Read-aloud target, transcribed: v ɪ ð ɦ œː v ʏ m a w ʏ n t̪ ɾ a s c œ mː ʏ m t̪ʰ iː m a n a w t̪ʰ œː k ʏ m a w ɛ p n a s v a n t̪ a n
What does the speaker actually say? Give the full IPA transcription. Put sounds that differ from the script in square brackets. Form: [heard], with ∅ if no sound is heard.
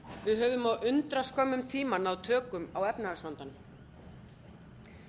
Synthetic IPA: v ɪ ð ɦ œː v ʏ m a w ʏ n t̪ ɾ a s [k] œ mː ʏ m t̪ʰ iː m a n a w t̪ʰ œː k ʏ m a w ɛ p n a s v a n t̪ a n